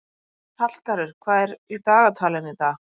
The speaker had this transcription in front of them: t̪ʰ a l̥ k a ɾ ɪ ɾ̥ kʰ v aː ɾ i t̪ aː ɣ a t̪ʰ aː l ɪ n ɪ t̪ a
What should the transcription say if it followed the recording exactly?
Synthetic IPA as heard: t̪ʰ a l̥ k a ɾ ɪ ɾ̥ kʰ v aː ɾ i t̪ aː ɣ a t̪ʰ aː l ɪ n ɪ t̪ a